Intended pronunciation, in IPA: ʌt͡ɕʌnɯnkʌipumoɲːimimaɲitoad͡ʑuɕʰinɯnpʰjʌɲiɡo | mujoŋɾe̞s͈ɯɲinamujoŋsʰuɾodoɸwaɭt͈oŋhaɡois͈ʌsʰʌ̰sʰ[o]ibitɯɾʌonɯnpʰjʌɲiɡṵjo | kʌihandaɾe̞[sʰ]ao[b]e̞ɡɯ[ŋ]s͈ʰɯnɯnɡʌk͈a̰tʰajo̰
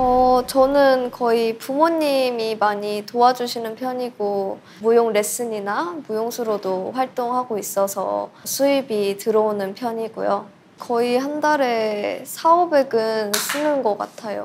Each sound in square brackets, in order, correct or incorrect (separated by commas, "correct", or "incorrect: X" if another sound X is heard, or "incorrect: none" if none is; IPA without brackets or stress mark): incorrect: u, correct, correct, incorrect: n